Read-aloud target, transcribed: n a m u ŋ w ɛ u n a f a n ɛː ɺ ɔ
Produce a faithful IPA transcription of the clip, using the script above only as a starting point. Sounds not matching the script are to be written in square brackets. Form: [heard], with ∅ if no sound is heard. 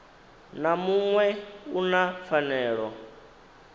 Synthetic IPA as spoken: n a m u ŋ w ɛ u n a f a n ɛː ɺ ɔ